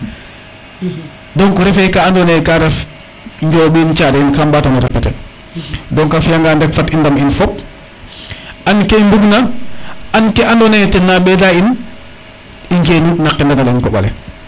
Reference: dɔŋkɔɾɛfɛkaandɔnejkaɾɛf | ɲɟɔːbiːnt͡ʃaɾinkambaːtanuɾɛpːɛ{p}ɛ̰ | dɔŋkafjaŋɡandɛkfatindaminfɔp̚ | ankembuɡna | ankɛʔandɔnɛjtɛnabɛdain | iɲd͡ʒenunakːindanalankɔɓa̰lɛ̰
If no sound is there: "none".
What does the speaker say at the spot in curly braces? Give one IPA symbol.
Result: t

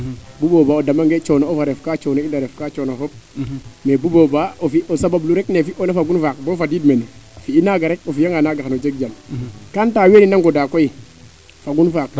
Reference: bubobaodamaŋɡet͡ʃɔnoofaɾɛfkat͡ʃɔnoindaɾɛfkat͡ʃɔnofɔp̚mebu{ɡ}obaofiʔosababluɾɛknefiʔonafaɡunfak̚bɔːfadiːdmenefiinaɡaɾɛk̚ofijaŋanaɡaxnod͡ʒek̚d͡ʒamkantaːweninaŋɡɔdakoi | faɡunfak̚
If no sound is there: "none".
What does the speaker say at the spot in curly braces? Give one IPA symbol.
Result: b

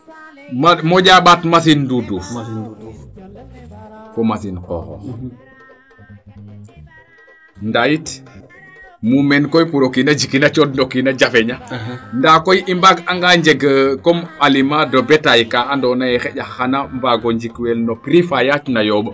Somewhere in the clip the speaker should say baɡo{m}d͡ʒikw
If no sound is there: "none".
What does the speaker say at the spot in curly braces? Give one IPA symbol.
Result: ɲ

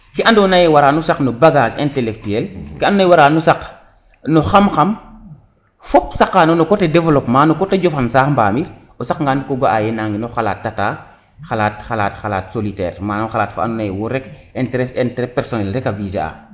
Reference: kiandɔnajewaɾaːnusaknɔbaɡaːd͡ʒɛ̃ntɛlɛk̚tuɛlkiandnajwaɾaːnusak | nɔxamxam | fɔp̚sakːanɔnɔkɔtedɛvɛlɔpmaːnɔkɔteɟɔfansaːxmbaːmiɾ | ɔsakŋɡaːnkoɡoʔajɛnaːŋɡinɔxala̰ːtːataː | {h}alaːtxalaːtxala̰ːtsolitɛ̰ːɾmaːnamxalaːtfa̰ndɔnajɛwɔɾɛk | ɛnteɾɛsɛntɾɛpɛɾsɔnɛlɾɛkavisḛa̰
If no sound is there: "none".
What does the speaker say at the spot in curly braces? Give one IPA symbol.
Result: x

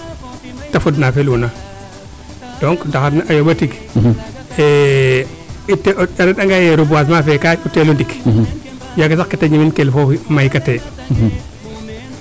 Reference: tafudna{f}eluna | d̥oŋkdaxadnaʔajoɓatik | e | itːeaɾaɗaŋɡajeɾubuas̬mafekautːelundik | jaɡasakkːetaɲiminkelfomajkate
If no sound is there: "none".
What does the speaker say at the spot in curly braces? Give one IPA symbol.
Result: f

